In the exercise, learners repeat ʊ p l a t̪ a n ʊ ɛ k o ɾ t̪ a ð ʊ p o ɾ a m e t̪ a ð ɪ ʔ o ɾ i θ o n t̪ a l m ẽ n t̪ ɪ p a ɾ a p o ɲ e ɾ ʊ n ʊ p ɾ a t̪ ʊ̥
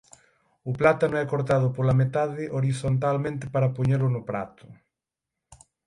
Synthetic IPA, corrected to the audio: ʊ p l a t̪ a n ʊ ɛ k o ɾ t̪ a ð ʊ p o l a m e t̪ a ð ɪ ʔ o ɾ i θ o n t̪ a l m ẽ n t̪ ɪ p a ɾ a p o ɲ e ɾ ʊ n ʊ p ɾ a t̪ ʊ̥